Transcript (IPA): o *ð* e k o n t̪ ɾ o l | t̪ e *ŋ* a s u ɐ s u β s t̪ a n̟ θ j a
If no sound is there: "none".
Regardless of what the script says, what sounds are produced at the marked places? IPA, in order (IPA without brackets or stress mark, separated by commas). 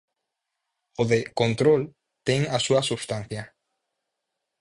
ð, ŋ